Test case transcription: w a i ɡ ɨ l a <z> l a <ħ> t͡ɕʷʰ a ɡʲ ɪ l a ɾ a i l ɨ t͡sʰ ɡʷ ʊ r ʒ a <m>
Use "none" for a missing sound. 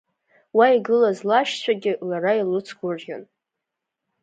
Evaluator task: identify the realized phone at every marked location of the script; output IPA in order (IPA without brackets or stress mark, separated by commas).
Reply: z, ʃ, n